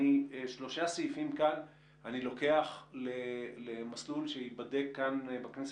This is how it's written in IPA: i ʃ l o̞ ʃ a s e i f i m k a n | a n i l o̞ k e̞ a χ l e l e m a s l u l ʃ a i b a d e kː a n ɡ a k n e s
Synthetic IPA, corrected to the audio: i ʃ l o̞ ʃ a s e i f i m k a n | a n i l o̞ k e̞ a χ l e l e m a s l u l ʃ e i b a d e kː a n b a k n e s